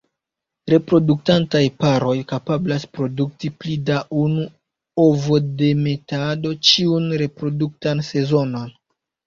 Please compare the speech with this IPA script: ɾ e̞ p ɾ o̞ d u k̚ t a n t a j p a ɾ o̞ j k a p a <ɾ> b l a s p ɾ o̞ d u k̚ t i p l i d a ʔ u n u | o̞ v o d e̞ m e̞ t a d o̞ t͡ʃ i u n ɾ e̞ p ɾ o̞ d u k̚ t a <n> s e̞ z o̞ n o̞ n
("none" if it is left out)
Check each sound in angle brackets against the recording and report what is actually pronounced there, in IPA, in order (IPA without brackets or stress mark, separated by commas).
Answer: none, n